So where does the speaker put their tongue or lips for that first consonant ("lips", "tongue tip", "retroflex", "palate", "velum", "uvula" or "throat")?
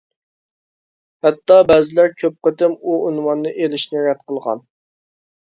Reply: throat